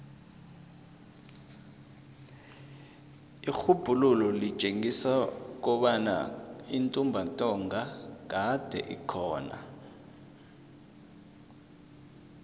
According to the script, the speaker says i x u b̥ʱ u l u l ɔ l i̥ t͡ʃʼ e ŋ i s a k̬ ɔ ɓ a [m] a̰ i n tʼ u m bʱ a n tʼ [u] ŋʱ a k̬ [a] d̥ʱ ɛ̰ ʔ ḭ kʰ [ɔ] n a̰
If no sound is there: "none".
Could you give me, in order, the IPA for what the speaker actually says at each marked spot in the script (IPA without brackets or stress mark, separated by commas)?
n, ɔ, a, ɔː